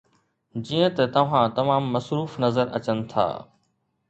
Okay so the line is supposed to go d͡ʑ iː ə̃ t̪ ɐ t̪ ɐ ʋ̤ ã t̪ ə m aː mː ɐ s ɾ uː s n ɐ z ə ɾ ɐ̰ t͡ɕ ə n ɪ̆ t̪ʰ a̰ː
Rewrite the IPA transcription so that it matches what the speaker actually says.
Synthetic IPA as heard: d͡ʑ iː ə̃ t̪ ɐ t̪ ɐ ʋ̤ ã t̪ ɐ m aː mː ɐ s ɾ uː f n ɐ z ə ɾ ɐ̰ t͡ɕ ə n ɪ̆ t̪ʰ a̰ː